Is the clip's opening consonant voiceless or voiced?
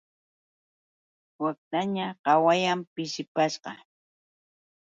voiced